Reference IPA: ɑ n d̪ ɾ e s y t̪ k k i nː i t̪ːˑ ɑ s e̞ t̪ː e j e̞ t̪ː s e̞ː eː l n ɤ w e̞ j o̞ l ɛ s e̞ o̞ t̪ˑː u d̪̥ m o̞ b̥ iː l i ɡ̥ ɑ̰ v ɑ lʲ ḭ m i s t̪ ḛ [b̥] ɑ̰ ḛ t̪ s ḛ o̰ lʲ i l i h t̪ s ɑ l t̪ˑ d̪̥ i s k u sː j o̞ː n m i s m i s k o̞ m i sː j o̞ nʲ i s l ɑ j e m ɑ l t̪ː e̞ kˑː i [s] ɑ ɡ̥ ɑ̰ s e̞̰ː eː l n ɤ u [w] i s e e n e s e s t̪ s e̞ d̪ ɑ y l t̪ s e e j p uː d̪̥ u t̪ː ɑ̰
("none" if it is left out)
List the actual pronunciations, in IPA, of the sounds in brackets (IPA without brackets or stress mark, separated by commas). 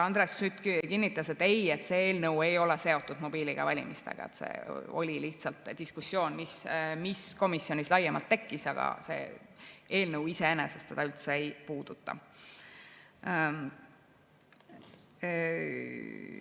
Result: ɡ̥, s, w